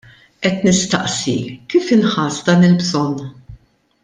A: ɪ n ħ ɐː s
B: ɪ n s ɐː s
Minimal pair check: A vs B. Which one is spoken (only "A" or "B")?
A